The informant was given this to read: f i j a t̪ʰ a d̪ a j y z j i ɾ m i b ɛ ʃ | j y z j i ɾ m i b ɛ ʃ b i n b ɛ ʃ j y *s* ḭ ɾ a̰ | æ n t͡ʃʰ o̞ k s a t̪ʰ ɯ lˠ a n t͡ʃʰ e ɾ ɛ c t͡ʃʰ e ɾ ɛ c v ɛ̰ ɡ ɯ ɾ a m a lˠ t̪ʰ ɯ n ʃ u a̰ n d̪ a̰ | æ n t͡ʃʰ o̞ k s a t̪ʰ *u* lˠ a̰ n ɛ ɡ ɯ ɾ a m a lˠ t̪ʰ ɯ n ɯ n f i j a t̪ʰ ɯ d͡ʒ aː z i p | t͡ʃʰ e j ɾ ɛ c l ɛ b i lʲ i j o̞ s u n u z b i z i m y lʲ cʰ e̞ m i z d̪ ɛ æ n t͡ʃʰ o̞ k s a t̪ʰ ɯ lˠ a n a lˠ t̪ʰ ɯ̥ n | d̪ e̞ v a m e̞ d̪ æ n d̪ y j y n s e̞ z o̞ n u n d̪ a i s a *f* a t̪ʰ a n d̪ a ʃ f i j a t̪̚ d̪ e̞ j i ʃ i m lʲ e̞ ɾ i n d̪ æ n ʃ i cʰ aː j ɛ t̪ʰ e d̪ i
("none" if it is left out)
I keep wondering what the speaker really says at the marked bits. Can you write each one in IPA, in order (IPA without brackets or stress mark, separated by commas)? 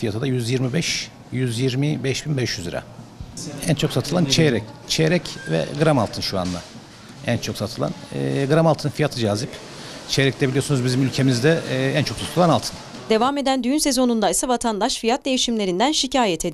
z, ɯ, v